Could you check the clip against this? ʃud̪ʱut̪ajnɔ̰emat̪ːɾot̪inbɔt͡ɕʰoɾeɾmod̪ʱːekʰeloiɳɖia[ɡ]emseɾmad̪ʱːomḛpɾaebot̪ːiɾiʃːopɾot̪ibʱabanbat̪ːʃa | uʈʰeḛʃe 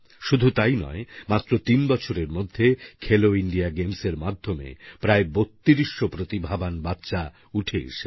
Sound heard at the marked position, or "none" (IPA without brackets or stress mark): ɡ